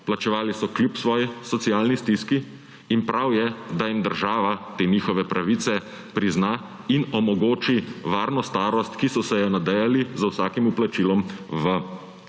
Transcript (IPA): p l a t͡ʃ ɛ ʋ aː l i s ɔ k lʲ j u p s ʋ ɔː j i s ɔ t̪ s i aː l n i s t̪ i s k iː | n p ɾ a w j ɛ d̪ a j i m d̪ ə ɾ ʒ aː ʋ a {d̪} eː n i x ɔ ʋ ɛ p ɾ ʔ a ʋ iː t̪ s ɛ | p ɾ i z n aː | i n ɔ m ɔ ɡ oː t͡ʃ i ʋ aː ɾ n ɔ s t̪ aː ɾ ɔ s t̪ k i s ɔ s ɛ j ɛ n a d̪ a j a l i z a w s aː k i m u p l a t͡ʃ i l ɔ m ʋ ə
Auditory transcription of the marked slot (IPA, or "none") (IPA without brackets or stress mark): t̪